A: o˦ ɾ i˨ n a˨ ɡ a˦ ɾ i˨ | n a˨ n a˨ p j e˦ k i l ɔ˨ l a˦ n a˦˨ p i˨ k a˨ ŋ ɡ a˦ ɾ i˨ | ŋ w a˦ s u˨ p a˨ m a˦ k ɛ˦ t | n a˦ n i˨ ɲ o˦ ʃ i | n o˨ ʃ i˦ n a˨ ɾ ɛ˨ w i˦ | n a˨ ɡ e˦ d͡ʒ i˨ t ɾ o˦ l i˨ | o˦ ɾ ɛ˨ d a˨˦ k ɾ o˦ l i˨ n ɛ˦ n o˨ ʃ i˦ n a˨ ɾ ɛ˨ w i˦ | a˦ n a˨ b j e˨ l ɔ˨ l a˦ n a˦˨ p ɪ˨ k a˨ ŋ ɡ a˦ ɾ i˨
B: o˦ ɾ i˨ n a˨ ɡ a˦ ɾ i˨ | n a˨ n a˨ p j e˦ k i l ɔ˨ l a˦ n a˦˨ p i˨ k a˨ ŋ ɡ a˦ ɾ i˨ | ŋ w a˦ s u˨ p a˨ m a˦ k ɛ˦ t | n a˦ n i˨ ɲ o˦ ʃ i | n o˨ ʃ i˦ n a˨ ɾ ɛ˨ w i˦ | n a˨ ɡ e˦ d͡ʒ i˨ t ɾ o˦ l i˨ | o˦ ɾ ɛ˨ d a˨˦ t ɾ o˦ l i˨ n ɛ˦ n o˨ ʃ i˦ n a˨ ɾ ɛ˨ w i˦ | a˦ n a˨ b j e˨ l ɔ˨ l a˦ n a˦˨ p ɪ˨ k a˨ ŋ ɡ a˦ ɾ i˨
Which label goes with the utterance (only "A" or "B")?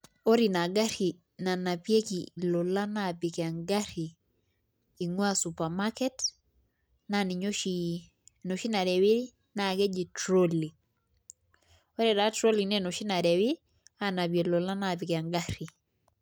B